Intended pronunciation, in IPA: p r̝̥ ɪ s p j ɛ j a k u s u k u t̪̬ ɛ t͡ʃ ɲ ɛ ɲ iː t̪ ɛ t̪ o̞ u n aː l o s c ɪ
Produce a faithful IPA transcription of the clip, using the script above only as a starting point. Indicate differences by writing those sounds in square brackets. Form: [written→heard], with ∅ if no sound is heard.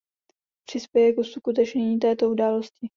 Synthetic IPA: p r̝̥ ɪ s p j ɛ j [a→ɛ] k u s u k u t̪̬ ɛ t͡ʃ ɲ ɛ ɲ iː t̪ [ɛ→ɛː] t̪ o̞ u [n→d] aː l o s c ɪ